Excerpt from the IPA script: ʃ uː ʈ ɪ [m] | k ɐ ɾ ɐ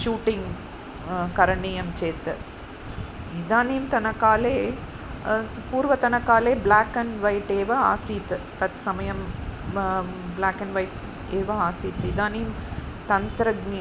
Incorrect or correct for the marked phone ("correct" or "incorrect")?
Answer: incorrect